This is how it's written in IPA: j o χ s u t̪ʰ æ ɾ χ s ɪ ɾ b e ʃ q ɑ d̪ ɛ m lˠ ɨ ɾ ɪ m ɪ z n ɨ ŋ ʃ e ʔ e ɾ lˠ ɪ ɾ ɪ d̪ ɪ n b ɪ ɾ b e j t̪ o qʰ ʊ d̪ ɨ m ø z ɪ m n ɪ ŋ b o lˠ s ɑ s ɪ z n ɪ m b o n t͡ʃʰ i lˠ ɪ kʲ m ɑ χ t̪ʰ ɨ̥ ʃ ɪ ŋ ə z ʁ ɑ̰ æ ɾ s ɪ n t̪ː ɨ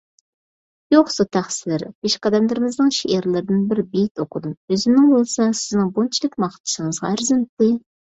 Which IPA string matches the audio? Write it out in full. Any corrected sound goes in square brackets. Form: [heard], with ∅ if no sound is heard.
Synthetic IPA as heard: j o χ s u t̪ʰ æ [∅] χ s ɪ ɾ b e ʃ q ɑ d̪ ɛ m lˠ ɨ ɾ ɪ m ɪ z n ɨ ŋ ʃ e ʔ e ɾ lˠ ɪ ɾ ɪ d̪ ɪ n b ɪ ɾ b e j t̪ o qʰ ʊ d̪ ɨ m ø z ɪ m n ɪ ŋ b o lˠ s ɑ s ɪ z n ɪ [ŋ] b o n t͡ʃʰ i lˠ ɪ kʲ m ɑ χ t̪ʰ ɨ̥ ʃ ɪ ŋ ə z ʁ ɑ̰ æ ɾ [z] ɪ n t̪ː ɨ